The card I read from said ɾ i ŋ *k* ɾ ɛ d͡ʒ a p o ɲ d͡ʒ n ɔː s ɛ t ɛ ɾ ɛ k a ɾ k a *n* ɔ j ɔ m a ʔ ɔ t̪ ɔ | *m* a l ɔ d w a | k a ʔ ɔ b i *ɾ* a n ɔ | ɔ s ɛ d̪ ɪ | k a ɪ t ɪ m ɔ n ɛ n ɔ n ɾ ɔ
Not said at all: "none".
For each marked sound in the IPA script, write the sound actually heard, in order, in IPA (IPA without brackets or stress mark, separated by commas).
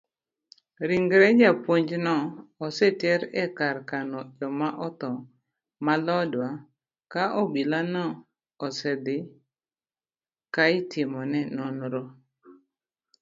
ɡ, n, m, l